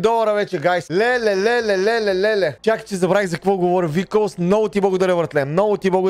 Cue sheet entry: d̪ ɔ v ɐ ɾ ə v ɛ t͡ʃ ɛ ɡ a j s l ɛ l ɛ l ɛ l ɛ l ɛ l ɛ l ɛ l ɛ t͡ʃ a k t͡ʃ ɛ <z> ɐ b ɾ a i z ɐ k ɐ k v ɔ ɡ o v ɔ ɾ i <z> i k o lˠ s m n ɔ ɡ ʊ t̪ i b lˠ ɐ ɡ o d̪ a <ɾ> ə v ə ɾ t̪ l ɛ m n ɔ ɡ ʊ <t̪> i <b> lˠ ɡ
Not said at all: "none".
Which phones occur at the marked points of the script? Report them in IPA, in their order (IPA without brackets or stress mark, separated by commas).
z, v, ɾ, t̪, b